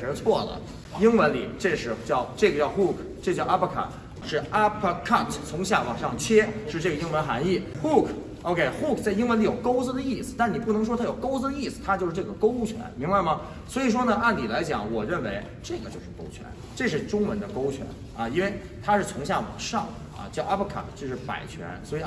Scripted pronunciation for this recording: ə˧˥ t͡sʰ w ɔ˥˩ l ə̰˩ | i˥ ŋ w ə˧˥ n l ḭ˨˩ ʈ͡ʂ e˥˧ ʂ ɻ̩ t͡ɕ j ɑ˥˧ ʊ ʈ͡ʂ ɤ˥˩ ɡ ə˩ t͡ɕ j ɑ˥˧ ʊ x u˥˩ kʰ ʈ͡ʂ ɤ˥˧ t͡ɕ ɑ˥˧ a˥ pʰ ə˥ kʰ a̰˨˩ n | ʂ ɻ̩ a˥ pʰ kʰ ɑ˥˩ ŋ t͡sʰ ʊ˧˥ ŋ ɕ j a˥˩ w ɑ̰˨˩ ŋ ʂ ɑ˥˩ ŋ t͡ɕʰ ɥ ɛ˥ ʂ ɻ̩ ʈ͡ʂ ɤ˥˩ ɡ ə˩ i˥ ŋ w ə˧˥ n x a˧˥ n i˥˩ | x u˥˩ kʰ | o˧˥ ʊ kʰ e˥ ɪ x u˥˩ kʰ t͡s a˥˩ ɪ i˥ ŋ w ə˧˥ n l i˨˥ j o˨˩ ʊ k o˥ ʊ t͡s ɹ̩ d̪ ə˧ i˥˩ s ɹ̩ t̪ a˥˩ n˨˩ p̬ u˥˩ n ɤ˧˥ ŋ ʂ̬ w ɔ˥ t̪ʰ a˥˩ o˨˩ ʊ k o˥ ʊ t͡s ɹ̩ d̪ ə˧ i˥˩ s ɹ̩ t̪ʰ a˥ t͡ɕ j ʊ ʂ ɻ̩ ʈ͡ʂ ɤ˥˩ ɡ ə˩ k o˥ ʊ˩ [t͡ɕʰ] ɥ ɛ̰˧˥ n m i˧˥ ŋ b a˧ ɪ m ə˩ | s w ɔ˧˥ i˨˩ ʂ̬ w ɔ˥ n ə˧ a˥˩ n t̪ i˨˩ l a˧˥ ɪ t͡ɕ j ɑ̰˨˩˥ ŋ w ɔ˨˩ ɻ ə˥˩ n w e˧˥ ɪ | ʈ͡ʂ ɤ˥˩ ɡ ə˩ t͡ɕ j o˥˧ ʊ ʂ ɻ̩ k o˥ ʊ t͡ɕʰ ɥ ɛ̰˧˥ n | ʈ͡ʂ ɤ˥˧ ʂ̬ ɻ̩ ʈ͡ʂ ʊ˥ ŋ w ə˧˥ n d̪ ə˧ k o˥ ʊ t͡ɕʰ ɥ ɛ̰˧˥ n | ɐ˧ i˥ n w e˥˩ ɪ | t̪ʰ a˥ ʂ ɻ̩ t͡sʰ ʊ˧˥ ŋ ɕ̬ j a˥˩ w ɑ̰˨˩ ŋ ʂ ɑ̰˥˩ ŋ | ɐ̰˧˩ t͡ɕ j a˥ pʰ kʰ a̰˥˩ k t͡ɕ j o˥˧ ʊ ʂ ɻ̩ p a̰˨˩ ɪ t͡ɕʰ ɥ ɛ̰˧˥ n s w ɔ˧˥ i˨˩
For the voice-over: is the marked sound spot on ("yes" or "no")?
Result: yes